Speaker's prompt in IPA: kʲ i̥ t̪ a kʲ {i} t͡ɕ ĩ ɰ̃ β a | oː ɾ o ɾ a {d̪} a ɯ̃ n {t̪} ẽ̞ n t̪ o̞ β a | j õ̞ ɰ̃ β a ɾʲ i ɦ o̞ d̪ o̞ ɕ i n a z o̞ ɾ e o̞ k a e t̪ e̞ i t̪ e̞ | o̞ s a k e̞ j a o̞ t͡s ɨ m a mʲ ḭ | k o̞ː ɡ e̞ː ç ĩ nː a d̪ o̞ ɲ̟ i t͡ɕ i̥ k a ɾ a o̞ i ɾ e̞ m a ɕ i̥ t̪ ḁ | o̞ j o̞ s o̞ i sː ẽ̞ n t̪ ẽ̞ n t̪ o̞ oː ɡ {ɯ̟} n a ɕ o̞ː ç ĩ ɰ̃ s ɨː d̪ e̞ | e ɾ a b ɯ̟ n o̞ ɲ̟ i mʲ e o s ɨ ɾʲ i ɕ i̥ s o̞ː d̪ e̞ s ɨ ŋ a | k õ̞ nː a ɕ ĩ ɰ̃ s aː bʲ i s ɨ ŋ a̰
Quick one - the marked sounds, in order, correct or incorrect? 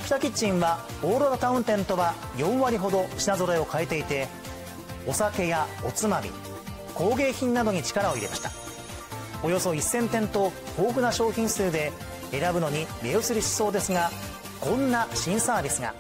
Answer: correct, incorrect: t̪, correct, correct

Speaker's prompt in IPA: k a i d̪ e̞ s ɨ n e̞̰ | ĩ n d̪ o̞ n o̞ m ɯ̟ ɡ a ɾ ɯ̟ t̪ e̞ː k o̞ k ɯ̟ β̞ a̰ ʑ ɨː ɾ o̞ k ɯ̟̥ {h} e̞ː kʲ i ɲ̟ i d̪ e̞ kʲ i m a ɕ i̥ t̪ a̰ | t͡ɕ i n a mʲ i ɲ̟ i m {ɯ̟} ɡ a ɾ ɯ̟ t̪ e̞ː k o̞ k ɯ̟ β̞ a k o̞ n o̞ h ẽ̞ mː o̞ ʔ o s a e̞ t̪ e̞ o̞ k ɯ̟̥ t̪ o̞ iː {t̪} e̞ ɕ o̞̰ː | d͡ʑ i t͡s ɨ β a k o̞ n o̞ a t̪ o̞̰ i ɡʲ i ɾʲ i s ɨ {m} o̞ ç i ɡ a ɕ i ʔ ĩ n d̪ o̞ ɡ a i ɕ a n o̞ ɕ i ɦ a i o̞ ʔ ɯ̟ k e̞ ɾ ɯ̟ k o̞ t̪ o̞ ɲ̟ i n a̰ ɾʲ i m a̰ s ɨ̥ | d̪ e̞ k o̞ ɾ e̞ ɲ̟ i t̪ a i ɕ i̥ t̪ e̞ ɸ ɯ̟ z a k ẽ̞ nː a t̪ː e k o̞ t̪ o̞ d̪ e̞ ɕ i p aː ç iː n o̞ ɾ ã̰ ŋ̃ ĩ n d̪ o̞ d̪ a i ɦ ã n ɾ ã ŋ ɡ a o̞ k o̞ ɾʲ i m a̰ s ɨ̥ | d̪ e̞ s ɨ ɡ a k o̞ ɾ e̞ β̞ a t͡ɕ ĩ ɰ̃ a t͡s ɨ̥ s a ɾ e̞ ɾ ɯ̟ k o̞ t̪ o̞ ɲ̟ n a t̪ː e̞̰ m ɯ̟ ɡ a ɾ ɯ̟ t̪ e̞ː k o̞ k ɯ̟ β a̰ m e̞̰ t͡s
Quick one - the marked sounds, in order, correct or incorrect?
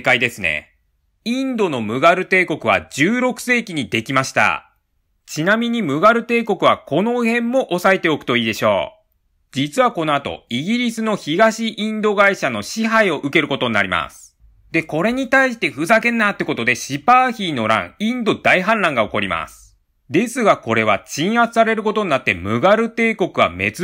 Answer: incorrect: s, correct, incorrect: d̪, incorrect: n

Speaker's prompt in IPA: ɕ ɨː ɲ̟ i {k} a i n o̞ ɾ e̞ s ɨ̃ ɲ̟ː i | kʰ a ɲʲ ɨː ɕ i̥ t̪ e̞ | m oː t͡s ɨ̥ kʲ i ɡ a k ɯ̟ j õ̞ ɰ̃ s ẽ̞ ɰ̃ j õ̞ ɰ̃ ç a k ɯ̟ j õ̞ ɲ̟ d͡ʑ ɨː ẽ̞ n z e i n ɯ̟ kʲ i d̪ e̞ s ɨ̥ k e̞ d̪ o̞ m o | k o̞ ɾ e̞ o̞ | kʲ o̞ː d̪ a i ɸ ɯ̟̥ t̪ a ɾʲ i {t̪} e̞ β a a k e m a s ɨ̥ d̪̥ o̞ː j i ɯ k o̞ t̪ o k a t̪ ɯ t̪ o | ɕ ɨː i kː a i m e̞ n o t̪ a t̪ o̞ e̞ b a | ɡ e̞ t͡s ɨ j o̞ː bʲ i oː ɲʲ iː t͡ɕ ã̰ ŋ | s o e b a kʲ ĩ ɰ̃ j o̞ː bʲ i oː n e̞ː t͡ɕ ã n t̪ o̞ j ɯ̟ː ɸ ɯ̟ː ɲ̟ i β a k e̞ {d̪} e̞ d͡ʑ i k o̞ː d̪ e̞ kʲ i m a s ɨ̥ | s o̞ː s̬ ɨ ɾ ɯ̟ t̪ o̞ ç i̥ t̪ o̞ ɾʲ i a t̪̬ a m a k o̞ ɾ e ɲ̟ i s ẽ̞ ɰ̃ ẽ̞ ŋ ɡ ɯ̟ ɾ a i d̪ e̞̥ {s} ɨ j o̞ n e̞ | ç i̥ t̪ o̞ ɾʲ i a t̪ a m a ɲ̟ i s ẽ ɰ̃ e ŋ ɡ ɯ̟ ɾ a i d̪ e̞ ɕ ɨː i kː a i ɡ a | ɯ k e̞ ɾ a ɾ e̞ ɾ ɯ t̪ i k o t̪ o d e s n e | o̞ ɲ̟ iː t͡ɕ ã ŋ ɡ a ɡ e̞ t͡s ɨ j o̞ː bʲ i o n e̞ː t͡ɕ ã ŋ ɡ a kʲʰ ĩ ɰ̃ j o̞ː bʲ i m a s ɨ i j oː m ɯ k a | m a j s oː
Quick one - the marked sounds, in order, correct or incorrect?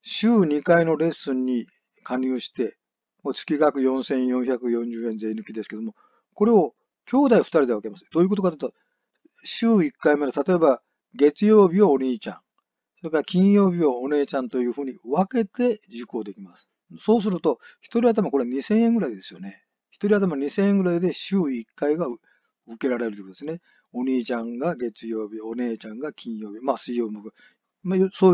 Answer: correct, incorrect: d̪, incorrect: t̪, correct

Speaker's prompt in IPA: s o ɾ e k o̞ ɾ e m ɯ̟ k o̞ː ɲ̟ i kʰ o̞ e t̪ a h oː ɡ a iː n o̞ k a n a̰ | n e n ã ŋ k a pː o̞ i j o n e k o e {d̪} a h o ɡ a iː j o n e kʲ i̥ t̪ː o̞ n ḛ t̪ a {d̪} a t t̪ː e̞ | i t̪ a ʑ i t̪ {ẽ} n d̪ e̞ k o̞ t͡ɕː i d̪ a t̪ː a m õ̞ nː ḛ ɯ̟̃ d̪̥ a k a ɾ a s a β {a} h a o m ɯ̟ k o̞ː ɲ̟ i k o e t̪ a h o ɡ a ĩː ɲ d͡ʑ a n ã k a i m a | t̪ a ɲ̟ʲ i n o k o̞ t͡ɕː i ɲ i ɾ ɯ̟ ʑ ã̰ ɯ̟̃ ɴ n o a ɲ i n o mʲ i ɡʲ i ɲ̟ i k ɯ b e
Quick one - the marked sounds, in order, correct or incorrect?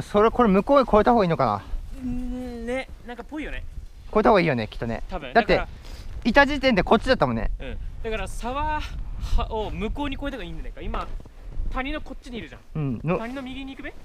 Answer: incorrect: t̪, correct, correct, correct

